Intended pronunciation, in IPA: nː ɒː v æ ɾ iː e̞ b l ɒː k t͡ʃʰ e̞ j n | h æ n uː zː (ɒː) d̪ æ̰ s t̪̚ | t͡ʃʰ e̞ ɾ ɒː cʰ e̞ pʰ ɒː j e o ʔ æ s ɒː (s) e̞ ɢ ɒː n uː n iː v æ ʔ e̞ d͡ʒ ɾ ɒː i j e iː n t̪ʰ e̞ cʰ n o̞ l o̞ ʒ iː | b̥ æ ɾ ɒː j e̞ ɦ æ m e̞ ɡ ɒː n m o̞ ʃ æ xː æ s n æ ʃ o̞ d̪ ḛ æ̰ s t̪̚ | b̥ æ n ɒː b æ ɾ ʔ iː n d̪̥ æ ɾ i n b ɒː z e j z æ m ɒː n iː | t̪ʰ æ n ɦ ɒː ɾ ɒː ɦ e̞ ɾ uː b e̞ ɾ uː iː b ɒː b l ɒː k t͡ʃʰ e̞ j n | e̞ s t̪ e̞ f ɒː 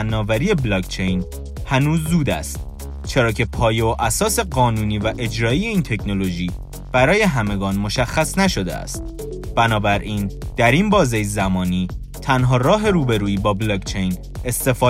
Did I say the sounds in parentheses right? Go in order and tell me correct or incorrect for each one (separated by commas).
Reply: incorrect, correct